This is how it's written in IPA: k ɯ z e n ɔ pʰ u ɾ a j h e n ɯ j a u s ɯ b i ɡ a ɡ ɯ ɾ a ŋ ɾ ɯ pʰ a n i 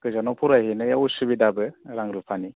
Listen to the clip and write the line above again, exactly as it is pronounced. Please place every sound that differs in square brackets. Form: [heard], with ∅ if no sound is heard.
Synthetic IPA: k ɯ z [a] n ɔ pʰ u ɾ a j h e n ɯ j a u s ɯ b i [d] a [b] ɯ ɾ a ŋ ɾ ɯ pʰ a n i